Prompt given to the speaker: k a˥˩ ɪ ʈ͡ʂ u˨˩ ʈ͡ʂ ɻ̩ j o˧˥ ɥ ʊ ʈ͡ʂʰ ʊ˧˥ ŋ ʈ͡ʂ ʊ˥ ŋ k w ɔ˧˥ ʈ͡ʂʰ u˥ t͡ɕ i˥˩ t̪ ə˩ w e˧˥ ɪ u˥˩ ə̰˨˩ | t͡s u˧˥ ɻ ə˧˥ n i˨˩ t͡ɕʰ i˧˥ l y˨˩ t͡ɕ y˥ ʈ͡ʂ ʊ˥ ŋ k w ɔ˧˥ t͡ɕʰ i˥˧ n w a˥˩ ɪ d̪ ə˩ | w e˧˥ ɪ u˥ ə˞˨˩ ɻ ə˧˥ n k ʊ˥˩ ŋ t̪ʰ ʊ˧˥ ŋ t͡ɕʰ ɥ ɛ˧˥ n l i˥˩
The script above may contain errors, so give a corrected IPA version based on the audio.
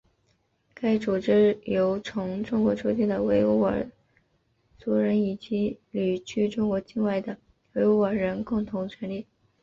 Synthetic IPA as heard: k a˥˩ ɪ ʈ͡ʂ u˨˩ ʈ͡ʂ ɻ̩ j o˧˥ ʊ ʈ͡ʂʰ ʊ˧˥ ŋ ʈ͡ʂ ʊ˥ ŋ k w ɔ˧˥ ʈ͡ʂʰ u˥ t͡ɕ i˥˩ d̪ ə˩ w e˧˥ ɪ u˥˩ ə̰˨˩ | t͡s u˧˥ ɻ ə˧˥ n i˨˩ t͡ɕ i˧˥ l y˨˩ t͡ɕʰ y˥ ʈ͡ʂ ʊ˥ ŋ k w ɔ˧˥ t͡ɕ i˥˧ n w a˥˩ ɪ d̪ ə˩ | w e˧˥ ɪ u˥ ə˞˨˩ ɻ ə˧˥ n k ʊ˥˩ ŋ t̪ʰ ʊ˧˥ ŋ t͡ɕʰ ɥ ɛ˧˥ n l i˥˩